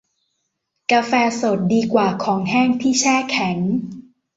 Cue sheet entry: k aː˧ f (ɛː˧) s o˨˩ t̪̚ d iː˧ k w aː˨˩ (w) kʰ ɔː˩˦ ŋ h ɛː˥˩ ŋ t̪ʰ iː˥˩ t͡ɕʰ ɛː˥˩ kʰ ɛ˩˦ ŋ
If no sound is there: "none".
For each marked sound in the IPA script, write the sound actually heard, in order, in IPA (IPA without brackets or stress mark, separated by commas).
ɛː˧, none